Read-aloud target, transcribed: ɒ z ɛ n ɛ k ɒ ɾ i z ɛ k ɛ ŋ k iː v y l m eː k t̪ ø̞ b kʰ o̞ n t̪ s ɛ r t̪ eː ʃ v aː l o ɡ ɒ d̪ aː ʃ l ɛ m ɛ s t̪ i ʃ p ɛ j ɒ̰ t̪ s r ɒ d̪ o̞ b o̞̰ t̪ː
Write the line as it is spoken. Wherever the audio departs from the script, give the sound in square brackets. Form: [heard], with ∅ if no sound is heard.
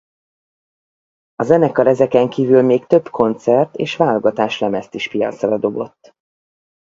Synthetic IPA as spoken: ɒ z ɛ n ɛ k ɒ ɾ [ɛ] z ɛ k ɛ ŋ k iː v y l m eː k t̪ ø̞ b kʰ o̞ n t̪ s ɛ r t̪ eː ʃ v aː l o ɡ ɒ [t̪] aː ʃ l ɛ m ɛ s t̪ i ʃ p [i] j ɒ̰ t̪ s r ɒ d̪ o̞ b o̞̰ t̪ː

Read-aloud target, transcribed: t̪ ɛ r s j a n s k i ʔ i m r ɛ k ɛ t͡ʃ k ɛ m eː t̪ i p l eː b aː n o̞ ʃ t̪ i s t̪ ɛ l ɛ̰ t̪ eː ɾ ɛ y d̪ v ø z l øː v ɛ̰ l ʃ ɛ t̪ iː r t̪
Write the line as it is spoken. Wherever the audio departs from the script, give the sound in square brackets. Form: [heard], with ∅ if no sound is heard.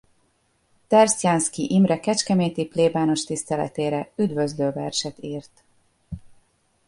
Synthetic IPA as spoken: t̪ ɛ r s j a n s k i ʔ i m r ɛ k ɛ t͡ʃ k ɛ m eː t̪ i p l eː b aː n o̞ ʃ t̪ i s t̪ ɛ l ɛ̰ t̪ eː ɾ ɛ y d̪ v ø z l øː v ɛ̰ [r] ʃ ɛ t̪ iː r t̪

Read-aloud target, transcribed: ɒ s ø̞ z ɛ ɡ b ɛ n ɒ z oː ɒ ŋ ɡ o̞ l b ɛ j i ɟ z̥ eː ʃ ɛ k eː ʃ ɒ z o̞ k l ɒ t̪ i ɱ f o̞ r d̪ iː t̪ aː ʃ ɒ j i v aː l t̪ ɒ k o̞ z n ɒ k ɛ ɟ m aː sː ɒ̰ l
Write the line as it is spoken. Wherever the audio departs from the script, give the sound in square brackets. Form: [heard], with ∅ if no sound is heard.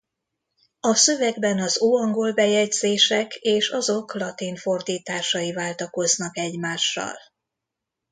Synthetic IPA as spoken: ɒ s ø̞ [v] ɛ ɡ b ɛ n ɒ z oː ɒ ŋ ɡ o̞ l b ɛ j [ɛ] ɟ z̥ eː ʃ ɛ k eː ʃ ɒ z o̞ k l ɒ t̪ i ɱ f o̞ r d̪ iː t̪ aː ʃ ɒ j i v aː l t̪ ɒ k o̞ z n ɒ k ɛ ɟ m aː [ʃː] ɒ̰ l

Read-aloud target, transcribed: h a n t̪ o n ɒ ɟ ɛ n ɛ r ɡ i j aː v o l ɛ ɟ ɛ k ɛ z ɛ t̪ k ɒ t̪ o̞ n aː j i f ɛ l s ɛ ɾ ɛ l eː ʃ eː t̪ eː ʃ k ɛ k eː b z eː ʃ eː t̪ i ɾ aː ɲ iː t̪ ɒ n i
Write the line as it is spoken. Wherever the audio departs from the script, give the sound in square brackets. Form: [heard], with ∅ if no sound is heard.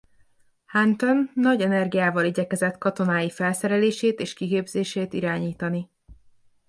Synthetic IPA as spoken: h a n t̪ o [nː] ɒ ɟ ɛ n ɛ r ɡ i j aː v [ɒ] l [i] ɟ ɛ k ɛ z ɛ t̪ k ɒ t̪ o̞ n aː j i f ɛ l s ɛ ɾ ɛ l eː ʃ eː t̪ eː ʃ k [i] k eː b z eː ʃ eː t̪ i ɾ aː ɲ iː t̪ ɒ n i

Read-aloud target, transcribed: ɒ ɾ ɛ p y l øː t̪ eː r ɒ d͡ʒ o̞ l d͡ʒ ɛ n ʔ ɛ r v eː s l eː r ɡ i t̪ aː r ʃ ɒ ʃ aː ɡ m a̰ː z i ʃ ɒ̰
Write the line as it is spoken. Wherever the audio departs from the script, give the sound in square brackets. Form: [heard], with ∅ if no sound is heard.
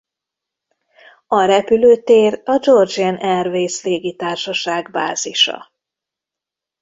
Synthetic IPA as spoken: ɒ ɾ ɛ p y l øː t̪ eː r ɒ d͡ʒ o̞ [r] d͡ʒ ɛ n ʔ ɛ r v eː s l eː [∅] ɡ i t̪ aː r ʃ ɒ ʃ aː ɡ [b] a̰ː z i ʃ ɒ̰

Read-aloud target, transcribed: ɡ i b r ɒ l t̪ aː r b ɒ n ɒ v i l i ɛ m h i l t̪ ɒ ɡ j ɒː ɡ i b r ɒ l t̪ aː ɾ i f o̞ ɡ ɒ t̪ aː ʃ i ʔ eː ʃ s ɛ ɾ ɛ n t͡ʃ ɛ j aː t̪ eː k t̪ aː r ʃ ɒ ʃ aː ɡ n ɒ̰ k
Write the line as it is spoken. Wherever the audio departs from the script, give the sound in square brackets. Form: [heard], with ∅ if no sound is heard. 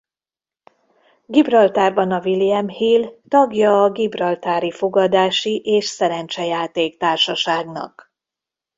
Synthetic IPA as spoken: ɡ i b r ɒ l t̪ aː r b ɒ n ɒ v i l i ɛ m h i l t̪ ɒ ɡ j ɒː ɡ i b r ɒ l t̪ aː ɾ i f o̞ ɡ ɒ [d̪] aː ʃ i ʔ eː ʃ s ɛ ɾ ɛ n t͡ʃ ɛ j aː t̪ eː k t̪ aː r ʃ ɒ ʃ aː ɡ n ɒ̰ k

